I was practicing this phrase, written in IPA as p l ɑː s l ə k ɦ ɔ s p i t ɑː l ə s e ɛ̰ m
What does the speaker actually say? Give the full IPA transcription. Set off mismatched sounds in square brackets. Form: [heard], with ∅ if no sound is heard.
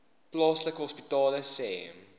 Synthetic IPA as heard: p l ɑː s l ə k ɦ ɔ s p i t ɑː l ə s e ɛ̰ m